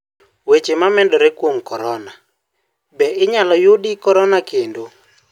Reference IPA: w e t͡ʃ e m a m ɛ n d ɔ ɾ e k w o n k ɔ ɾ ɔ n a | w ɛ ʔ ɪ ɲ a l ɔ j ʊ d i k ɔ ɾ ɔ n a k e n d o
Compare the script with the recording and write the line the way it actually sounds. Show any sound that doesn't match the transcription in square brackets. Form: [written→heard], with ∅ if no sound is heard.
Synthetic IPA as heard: w e t͡ʃ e m a m ɛ n d ɔ ɾ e k w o [n→ŋ] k ɔ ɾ ɔ n a | [w→b] ɛ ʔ ɪ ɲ a l ɔ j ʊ d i k ɔ ɾ ɔ n a k e n d o

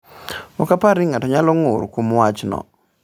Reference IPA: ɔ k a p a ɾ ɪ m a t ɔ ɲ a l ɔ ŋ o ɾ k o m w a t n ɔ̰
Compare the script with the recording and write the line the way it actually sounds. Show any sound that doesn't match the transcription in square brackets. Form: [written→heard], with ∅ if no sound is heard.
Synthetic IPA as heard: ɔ k a p a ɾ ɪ [m→ŋ] a t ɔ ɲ a l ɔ ŋ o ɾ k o m w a [t→t͡ʃ] n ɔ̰

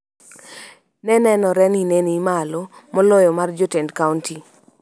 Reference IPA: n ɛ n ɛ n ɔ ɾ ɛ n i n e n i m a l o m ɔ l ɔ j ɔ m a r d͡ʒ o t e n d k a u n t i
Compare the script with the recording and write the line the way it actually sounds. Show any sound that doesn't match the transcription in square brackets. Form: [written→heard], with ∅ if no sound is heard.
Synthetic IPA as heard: n ɛ n ɛ n ɔ ɾ ɛ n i n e n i m a l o m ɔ l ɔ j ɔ m a r d͡ʒ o t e n d k a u n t i

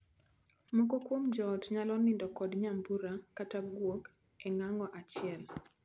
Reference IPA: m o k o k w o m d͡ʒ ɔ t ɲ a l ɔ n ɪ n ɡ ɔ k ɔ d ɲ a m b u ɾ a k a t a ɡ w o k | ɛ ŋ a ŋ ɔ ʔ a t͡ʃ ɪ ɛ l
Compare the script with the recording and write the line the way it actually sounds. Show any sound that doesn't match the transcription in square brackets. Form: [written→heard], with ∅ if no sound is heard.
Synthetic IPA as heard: m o k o k w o m d͡ʒ ɔ t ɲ a l ɔ n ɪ n [ɡ→d] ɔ k ɔ d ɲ a m b u ɾ a k a t a ɡ w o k | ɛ ŋ a ŋ ɔ ʔ a t͡ʃ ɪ ɛ l

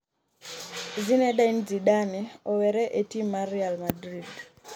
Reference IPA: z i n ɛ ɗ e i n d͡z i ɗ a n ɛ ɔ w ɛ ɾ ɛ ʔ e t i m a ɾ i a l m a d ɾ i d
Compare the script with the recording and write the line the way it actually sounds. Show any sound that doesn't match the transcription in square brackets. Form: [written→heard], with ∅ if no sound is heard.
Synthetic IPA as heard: z i n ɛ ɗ [e→a] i n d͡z i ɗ a n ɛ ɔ w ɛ ɾ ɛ ʔ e t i m a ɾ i a l m a d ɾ i d

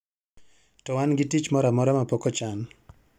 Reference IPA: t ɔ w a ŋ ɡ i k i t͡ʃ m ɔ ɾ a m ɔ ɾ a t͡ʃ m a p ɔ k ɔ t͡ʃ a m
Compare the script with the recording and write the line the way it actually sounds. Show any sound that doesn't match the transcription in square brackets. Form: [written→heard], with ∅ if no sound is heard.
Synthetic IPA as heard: t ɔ w a [ŋ→n] ɡ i [k→t] i t͡ʃ m ɔ ɾ a m ɔ ɾ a [t͡ʃ→∅] m a p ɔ k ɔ t͡ʃ a [m→n]

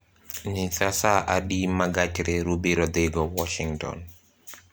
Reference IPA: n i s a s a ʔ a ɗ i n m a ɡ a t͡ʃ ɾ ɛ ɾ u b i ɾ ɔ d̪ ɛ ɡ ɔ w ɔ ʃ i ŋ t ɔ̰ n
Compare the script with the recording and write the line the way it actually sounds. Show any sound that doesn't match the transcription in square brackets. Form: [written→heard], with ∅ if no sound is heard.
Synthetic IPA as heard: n i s a s a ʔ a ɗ i [n→∅] m a ɡ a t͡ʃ ɾ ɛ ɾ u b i ɾ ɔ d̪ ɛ ɡ ɔ w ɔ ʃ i ŋ t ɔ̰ n

